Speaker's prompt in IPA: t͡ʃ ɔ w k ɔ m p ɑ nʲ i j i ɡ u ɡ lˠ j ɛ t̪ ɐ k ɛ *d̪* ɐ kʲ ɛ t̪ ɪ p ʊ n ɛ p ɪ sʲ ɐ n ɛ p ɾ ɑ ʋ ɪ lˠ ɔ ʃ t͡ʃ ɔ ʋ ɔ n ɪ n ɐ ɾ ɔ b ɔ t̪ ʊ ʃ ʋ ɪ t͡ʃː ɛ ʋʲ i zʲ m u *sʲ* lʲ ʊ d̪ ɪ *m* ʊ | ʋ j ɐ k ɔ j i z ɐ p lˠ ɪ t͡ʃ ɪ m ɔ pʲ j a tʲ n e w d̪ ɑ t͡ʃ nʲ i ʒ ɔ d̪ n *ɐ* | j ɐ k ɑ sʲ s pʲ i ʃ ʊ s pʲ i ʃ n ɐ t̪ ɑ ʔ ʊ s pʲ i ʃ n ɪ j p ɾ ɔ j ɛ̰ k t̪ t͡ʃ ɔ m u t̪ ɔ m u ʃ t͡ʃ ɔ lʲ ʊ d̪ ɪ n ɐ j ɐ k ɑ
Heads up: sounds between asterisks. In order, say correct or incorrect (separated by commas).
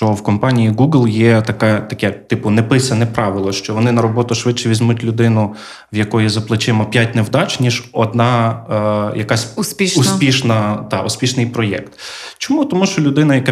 incorrect, incorrect, incorrect, incorrect